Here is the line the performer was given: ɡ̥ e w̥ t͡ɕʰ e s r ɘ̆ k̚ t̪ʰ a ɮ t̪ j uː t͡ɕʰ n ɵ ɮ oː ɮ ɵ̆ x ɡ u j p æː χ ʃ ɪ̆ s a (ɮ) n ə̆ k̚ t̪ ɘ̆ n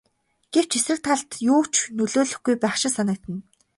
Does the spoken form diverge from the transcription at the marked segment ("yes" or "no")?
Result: yes